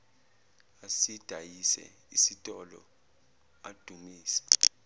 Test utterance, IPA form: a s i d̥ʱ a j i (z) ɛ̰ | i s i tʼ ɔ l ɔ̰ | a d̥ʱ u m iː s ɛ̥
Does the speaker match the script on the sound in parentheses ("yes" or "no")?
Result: no